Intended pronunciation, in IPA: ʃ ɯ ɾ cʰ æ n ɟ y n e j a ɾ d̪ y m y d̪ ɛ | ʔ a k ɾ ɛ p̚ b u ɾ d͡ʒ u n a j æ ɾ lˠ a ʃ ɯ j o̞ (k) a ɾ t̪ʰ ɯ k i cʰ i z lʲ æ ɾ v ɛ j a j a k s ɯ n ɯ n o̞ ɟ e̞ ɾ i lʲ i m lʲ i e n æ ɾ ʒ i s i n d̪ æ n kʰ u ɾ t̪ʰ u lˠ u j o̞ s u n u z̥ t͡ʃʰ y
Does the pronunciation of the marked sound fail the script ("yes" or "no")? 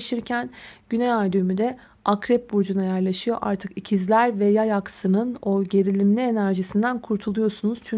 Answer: yes